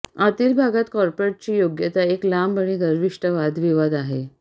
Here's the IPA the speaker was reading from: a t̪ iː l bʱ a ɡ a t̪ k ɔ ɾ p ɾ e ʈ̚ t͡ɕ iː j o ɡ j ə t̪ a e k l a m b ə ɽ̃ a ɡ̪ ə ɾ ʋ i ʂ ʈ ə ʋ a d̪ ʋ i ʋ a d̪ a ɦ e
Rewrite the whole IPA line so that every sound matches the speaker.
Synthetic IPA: a t̪ iː l bʱ a ɡ a t̪ k ɔ ɾ p ɾ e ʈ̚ t͡ɕ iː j o ɡ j ə t̪ a e k l a m b ə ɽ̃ i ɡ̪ ə ɾ ʋ i ʂ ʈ ə ʋ a d̪ ʋ i ʋ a d̪ a ɦ e